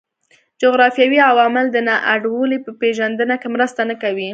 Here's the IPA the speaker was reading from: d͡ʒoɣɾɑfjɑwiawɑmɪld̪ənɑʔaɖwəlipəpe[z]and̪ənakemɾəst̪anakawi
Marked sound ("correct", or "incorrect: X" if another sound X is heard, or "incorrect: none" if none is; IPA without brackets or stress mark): incorrect: ʒ